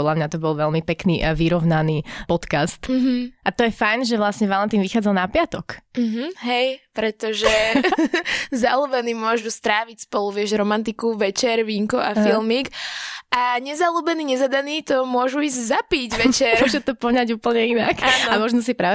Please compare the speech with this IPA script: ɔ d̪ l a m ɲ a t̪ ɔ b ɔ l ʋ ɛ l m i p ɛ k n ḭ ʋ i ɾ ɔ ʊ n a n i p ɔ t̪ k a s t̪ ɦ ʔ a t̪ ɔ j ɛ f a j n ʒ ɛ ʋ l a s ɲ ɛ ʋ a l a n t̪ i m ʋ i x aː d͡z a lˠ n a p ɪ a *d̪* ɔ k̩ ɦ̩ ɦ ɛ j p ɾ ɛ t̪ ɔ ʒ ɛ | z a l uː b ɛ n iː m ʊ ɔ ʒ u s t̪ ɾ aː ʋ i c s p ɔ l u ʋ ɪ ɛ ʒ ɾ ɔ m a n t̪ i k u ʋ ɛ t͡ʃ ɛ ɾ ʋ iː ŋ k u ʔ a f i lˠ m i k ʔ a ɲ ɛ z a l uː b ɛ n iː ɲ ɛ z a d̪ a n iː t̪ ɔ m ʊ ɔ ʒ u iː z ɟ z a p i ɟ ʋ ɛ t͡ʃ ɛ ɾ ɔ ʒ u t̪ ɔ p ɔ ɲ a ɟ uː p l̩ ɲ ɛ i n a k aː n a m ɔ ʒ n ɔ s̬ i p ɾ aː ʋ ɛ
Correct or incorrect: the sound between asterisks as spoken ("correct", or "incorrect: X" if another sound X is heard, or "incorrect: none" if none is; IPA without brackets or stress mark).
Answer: incorrect: t̪